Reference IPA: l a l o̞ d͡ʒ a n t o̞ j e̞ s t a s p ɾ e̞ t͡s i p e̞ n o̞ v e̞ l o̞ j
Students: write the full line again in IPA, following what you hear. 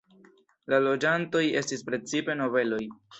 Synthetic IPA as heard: l a l o̞ d͡ʒ a n t o̞ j e̞ s t i s p ɾ e̞ t͡s i p e̞ n o̞ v e̞ l o̞ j